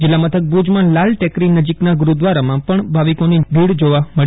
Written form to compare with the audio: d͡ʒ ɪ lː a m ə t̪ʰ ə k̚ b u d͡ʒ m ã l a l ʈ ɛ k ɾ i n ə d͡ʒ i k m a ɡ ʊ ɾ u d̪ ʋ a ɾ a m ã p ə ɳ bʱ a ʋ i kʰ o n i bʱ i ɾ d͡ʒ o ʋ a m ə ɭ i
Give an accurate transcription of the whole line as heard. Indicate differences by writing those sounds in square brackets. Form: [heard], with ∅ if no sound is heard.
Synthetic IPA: d͡ʒ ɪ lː a m ə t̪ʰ ə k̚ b u d͡ʒ m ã l a l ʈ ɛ k ɾ i n ə d͡ʒ i k [n] a ɡ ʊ ɾ u d̪ ʋ a ɾ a m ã p ə ɳ bʱ a ʋ i [k] o n i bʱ i [ɽ] d͡ʒ o ʋ a m ə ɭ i